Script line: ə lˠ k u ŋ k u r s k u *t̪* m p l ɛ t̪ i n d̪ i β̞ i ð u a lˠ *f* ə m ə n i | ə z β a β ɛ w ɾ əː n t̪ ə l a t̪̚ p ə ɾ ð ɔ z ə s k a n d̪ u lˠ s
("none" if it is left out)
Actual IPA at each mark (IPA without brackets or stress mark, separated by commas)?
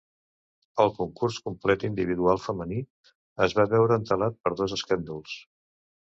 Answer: none, f